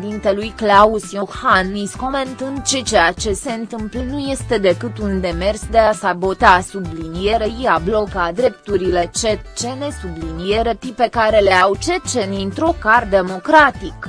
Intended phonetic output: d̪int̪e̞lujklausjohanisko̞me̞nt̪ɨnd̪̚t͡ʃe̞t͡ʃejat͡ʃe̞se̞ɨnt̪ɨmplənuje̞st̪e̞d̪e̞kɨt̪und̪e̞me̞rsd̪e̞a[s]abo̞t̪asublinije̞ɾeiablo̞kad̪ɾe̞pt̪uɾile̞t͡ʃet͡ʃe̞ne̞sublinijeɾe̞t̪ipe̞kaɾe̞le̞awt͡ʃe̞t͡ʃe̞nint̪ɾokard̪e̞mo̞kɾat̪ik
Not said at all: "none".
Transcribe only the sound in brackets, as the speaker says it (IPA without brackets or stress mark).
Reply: s